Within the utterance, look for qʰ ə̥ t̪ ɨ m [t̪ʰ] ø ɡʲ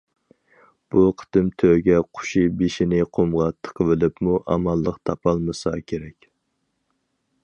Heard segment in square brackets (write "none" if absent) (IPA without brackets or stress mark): t̪ʰ